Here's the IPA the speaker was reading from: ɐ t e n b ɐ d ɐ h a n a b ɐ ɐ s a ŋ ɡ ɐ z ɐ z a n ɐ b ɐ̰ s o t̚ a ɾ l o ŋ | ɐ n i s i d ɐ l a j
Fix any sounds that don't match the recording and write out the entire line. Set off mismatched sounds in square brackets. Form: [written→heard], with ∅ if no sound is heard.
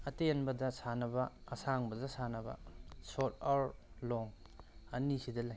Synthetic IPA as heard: ɐ t e n b ɐ d ɐ [h→s] a n [a→ɐ] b ɐ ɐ s a ŋ [ɡ→b] ɐ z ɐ [z→s] a n ɐ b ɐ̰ s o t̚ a ɾ l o ŋ | ɐ n i s i d ɐ l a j

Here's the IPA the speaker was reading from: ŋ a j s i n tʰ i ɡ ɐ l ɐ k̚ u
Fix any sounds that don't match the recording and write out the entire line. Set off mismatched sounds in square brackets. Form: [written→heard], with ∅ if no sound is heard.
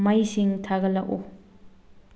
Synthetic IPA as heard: [ŋ→m] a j s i [n→ŋ] tʰ [i→a] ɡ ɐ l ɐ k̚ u

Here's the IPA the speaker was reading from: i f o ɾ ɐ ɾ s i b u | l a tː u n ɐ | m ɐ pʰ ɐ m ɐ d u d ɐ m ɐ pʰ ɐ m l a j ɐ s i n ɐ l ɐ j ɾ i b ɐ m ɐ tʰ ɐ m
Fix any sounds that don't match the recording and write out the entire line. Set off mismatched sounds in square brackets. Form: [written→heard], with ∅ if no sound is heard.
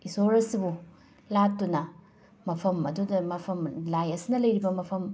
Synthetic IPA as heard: i [f→s] o ɾ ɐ [ɾ→∅] s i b u | l a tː u n ɐ | m ɐ pʰ ɐ m ɐ d u d ɐ m ɐ pʰ ɐ m l a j ɐ s i n ɐ l ɐ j ɾ i b ɐ m ɐ [tʰ→pʰ] ɐ m

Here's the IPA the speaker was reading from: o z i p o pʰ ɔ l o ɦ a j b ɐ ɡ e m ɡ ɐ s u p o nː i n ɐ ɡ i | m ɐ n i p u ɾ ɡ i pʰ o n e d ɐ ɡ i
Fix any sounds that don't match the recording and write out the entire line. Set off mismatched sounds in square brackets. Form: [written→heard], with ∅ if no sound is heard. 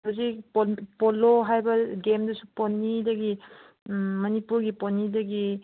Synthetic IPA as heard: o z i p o [pʰ→p] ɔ l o ɦ a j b ɐ ɡ e m [ɡ→d] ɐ s u p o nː i [n→d] ɐ ɡ i | m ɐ n i p u ɾ ɡ i [pʰ→p] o n [e→i] d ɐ ɡ i

